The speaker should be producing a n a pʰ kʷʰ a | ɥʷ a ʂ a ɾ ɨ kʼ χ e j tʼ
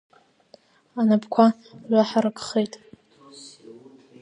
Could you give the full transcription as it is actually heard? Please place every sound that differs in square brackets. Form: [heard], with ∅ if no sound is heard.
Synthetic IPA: a n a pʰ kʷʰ a | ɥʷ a [ħ] a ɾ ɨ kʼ χ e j tʼ